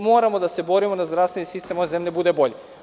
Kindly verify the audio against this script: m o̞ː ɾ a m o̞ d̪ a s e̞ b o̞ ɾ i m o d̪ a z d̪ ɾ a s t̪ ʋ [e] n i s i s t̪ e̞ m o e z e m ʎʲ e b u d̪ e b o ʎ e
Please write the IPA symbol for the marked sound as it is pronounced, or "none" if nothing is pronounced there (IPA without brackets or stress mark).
e